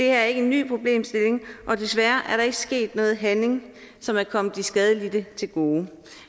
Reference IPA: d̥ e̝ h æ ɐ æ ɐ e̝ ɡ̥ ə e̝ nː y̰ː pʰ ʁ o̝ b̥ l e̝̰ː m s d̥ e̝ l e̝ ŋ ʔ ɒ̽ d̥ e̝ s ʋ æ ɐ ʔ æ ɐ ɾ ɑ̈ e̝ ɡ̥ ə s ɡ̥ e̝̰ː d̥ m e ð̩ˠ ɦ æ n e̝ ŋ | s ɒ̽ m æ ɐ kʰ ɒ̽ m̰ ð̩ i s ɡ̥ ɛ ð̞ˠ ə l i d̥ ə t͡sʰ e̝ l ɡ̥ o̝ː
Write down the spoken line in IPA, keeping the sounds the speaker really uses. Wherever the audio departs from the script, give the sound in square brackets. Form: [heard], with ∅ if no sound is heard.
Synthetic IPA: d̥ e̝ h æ ɐ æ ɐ e̝ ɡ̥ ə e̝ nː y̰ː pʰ ʁ o̝ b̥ l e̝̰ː m s d̥ e̝ l e̝ ŋ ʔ ɒ̽ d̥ e̝ s ʋ æ ɐ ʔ æ ɐ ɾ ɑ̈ e̝ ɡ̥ ə s ɡ̥ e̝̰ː d̥ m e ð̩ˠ ɦ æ n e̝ ŋ | s ɒ̽ m æ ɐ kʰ ɒ̽ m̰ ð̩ i s ɡ̥ ɛ ð̞ˠ ə l i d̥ ə t͡sʰ e̝ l ɡ̥ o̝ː